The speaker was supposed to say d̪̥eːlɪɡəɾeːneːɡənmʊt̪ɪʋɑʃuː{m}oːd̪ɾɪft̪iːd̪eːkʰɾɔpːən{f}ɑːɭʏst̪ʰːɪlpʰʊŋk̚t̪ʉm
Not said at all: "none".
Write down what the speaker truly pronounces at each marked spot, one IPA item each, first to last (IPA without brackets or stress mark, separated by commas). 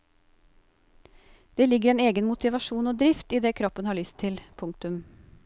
n, h